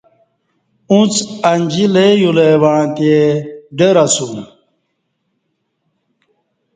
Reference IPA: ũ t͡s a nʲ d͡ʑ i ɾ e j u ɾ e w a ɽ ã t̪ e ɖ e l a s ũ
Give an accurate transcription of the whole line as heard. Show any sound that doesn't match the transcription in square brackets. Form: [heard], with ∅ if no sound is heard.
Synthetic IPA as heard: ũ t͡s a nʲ d͡ʑ i [l] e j u [l] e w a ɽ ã t̪ e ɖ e [ɾ] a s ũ